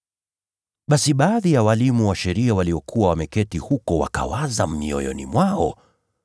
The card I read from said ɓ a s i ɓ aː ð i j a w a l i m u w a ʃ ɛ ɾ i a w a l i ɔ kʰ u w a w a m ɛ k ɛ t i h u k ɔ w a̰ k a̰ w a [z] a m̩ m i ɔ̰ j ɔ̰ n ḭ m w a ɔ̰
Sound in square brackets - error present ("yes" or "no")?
no